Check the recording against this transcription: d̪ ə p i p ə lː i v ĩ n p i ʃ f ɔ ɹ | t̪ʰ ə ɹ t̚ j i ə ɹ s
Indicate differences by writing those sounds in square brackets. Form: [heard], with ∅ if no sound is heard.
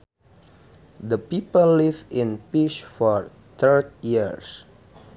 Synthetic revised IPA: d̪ ə p i p ə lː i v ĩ n p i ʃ f ɔ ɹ | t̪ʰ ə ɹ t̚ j i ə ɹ s